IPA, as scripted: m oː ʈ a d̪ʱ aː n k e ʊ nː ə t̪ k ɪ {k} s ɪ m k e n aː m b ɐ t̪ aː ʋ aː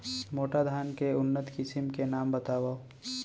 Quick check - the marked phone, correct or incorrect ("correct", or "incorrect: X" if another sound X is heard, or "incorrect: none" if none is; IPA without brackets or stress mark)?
incorrect: none